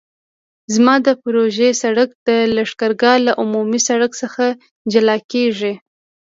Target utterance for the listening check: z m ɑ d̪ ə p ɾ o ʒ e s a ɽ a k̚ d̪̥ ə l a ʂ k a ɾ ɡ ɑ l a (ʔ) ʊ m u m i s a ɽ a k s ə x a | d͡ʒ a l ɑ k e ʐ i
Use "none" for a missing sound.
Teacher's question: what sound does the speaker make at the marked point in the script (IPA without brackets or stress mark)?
ʔ